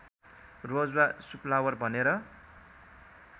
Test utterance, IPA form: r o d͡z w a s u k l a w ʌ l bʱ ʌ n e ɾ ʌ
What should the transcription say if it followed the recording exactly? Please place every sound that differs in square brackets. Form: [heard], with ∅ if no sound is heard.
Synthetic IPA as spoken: r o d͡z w a s u [p] l a w ʌ [r] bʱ ʌ n e ɾ ʌ

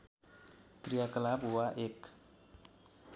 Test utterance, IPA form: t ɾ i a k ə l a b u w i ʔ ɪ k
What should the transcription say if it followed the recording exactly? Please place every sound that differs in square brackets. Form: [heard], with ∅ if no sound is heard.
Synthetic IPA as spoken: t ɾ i a k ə l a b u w [a] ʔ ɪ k

